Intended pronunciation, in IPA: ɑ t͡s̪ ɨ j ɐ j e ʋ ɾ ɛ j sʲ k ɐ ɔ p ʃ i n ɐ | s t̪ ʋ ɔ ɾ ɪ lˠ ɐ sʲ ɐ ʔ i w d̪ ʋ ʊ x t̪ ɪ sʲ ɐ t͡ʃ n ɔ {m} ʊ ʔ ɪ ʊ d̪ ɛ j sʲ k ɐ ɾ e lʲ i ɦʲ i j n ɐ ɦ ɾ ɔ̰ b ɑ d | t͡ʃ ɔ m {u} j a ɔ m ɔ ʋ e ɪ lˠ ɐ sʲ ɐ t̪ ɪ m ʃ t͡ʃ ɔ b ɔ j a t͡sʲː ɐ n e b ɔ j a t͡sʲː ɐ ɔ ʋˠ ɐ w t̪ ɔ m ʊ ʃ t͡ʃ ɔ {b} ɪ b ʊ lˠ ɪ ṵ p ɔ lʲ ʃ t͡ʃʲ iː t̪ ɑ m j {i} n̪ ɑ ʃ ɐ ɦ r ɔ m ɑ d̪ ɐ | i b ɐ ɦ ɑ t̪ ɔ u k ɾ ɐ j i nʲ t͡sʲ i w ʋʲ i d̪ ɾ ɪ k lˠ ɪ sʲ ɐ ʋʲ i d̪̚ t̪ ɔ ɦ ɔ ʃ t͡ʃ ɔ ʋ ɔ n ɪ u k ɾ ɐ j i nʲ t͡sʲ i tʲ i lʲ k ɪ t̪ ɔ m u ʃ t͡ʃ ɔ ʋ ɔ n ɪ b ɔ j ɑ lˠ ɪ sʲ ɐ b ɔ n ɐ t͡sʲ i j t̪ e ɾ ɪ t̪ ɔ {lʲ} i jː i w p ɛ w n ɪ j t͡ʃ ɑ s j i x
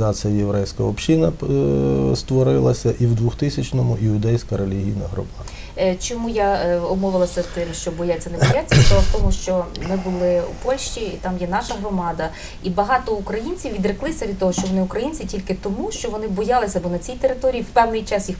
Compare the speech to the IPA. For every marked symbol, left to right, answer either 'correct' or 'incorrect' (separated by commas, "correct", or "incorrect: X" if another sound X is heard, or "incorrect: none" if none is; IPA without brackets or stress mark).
correct, correct, incorrect: m, incorrect: ɛ, incorrect: ɾʲ